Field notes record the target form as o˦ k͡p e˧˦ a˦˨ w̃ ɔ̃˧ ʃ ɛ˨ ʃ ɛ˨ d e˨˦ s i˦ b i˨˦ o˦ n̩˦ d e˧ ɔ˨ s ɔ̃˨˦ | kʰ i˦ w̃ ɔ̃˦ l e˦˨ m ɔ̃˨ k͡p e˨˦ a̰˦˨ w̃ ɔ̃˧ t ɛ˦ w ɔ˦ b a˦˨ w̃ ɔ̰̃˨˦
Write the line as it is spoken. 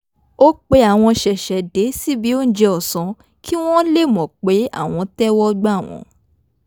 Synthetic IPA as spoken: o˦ k͡p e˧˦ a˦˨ w̃ ɔ̃˧ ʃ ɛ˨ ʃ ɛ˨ d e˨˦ s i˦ b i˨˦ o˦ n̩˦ d͡ʒ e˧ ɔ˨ s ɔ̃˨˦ | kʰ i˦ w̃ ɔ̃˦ l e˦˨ m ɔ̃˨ k͡p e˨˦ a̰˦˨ w̃ ɔ̃˧ t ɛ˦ w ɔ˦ ɡ͡b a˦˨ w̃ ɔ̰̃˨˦